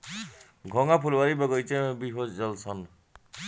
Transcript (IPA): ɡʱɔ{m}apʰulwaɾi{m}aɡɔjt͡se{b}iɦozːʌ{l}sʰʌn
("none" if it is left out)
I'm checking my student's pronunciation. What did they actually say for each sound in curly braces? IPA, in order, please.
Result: ŋ, b, b, l

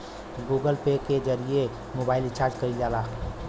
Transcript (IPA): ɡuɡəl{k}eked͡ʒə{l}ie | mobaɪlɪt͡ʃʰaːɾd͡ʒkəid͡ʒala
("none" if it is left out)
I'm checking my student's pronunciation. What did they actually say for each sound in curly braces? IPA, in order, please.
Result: p, ɾ

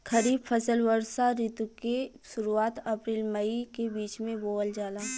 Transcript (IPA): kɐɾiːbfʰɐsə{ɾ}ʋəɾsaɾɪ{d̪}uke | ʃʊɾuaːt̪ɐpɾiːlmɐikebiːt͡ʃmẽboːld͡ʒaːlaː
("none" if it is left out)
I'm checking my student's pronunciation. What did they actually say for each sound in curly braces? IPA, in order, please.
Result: l, t̪

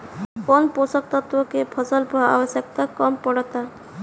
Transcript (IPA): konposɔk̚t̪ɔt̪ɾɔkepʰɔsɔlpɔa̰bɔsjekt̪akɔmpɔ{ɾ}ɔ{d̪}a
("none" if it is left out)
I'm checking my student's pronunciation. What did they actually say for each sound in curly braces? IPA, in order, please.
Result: ɽ, t̪

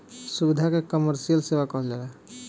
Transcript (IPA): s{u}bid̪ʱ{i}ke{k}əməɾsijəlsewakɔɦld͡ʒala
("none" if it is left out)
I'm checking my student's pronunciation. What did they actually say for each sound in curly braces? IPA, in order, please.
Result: u, a, k

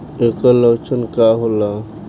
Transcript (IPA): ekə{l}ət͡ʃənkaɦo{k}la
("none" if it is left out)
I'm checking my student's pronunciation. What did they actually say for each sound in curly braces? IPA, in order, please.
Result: l, none

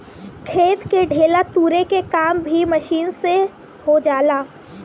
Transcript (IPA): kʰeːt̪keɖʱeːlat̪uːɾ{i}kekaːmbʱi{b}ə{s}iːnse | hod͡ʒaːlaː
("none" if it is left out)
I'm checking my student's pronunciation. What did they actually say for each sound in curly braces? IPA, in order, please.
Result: e, m, ʃ

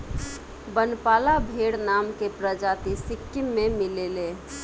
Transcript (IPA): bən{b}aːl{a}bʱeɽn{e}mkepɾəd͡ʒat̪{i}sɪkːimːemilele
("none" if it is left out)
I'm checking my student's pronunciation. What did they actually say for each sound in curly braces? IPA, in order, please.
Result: p, a, a, i

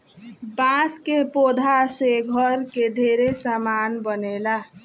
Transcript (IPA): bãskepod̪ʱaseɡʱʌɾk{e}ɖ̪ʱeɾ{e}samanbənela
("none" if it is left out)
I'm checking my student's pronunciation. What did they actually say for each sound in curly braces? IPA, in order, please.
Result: e, e

